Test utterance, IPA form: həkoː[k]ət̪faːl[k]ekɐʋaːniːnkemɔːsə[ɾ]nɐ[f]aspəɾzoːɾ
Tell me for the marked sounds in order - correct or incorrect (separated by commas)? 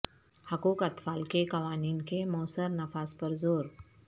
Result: correct, correct, correct, correct